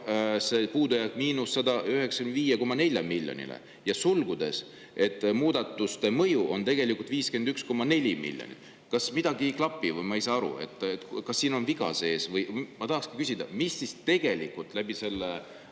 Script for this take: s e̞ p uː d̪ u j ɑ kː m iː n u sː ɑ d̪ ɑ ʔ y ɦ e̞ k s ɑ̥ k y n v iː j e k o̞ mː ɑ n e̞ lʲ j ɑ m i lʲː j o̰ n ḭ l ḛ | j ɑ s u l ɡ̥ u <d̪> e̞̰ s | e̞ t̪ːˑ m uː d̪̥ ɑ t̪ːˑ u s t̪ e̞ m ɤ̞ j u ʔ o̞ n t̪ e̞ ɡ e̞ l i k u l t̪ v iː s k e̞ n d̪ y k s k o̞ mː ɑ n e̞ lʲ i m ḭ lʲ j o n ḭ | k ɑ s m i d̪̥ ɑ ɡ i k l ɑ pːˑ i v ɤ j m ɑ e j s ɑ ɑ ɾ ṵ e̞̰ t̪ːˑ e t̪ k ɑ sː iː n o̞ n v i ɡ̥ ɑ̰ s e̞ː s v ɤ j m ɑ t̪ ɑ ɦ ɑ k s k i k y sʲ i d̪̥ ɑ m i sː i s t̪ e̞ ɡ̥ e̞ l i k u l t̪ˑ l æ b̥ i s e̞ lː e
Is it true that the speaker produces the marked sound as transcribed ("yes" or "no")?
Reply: yes